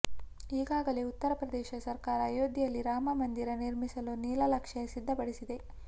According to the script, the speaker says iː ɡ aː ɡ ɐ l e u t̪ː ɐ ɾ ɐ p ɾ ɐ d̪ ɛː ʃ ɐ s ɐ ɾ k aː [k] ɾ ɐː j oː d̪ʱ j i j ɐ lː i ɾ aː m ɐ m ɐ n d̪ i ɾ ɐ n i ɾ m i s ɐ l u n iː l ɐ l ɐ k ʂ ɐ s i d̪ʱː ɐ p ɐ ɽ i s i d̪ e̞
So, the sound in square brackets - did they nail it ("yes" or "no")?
no